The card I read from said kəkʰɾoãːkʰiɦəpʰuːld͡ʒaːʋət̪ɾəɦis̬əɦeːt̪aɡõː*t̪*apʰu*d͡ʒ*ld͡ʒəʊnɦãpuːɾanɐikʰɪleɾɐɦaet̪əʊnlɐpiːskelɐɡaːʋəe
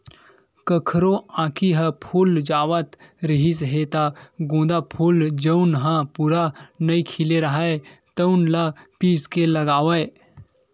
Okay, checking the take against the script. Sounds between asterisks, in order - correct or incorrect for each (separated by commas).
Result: incorrect, incorrect